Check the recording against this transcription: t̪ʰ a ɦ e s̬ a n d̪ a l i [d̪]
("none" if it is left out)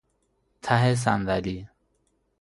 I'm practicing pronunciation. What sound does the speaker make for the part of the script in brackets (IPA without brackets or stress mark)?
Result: none